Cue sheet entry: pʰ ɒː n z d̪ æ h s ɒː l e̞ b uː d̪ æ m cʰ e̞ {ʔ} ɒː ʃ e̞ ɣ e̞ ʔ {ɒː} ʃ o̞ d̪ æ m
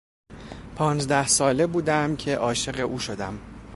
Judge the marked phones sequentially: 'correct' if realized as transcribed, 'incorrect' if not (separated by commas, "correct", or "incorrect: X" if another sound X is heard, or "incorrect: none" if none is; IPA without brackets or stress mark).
correct, incorrect: uː